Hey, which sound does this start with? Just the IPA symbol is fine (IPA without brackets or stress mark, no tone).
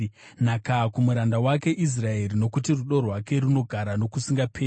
n